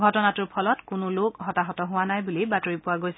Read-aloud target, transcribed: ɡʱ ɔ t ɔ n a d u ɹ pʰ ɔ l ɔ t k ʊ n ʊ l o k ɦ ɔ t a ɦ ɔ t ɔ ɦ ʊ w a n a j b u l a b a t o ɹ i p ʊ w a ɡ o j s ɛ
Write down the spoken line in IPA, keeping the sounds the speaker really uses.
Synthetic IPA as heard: ɡʱ ɔ t ɔ n a t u ɹ pʰ ɔ l ɔ t k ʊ n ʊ l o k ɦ ɔ t a ɦ ɔ t ɔ ɦ ʊ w a n a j b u l i b a t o ɹ i p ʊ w a ɡ o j s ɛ